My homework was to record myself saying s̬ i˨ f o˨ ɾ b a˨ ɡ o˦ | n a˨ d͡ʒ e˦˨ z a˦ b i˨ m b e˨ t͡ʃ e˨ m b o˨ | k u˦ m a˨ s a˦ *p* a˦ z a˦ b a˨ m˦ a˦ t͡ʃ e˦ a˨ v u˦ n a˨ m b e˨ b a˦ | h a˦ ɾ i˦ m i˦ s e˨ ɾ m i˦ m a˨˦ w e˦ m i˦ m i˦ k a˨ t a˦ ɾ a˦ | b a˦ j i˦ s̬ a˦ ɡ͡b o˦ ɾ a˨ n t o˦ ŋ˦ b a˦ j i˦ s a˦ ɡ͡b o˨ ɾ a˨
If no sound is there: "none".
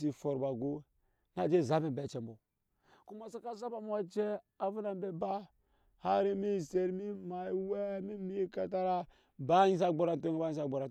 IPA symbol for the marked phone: k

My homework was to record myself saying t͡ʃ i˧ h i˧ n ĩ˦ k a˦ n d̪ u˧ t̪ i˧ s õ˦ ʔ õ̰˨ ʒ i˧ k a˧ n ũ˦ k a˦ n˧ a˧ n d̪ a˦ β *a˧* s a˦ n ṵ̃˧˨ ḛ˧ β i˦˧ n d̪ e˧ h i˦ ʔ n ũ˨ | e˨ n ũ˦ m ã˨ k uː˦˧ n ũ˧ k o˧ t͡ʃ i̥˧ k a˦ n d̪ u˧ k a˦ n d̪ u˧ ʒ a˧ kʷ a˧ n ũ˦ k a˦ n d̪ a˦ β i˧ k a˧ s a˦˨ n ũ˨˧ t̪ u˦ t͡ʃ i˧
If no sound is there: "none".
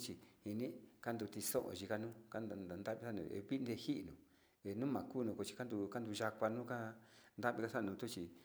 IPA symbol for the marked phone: i˧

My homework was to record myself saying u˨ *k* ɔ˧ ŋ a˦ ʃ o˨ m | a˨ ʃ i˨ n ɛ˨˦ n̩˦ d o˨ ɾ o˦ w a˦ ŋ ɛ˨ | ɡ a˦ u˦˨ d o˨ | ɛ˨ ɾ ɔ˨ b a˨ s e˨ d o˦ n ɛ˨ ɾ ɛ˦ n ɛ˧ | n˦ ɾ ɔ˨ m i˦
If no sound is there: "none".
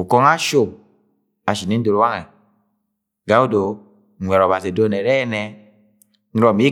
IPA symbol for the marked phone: k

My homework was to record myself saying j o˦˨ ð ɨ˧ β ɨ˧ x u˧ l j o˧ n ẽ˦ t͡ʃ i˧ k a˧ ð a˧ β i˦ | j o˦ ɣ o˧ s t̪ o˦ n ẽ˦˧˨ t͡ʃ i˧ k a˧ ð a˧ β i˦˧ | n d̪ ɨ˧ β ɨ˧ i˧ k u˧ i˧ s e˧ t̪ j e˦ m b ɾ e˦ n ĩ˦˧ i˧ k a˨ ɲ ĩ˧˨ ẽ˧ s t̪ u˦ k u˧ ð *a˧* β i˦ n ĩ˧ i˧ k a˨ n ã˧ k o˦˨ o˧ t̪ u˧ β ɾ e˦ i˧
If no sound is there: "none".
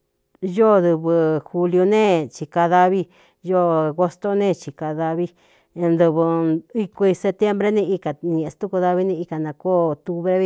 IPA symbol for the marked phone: a˧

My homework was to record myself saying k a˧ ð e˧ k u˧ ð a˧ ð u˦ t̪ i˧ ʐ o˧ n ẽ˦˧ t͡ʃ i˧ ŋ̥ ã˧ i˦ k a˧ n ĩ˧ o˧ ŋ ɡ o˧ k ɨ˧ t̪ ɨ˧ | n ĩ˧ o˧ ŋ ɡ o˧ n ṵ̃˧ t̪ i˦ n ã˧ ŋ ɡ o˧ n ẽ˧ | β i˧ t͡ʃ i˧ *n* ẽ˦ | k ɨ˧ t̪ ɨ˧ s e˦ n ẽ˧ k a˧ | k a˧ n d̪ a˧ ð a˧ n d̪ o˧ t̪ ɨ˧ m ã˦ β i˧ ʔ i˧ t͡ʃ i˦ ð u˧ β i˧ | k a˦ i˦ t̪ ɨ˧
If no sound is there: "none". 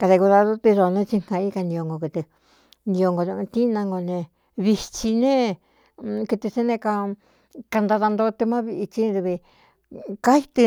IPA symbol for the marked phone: n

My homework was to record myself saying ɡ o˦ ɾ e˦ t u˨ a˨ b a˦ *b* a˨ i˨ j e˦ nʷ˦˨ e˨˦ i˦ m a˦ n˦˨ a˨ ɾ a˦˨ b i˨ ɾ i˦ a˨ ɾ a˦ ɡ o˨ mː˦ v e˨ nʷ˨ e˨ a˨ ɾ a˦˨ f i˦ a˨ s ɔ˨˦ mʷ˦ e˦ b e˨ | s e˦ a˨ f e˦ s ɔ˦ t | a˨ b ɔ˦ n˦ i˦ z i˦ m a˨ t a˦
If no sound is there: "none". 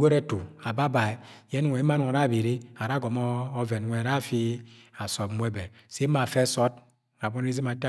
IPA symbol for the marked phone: b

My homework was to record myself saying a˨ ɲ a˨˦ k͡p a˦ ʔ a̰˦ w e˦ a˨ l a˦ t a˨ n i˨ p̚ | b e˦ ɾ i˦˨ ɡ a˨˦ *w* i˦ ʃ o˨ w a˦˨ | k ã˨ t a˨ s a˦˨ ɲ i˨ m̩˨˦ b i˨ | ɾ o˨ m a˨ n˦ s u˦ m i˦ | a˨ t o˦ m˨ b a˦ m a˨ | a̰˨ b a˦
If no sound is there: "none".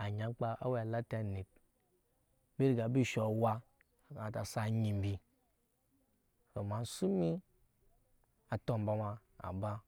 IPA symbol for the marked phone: b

